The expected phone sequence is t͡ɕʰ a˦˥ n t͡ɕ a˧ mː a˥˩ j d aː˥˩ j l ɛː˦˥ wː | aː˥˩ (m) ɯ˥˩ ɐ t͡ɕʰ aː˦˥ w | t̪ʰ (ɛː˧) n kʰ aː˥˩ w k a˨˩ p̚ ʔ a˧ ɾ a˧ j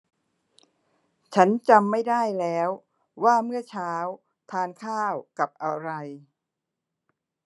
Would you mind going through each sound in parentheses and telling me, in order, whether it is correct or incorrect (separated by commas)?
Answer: correct, incorrect